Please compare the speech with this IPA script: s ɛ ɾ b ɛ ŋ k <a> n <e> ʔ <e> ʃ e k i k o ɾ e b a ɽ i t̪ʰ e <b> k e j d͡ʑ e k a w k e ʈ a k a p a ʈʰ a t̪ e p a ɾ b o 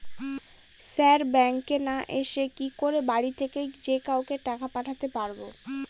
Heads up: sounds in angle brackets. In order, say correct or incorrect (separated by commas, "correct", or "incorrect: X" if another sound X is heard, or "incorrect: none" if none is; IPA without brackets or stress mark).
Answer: incorrect: e, incorrect: a, correct, incorrect: none